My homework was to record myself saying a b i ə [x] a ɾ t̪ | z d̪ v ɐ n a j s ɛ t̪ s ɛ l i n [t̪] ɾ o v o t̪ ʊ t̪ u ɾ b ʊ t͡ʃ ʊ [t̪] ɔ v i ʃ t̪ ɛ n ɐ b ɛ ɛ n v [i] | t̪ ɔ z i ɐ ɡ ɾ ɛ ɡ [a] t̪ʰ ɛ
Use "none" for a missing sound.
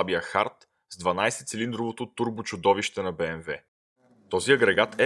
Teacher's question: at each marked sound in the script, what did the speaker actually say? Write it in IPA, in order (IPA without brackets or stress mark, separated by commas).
x, d̪, d̪, ɛ, a